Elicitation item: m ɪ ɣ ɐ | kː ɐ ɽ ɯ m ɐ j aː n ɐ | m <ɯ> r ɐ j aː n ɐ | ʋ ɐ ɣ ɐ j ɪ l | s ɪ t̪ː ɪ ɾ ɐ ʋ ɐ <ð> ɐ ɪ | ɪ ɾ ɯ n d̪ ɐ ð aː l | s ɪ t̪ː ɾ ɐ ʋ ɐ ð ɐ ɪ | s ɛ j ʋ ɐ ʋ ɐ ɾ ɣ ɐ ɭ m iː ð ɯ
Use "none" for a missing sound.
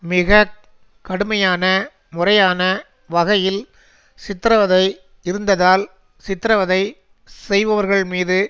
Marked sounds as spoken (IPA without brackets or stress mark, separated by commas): ʊ, ð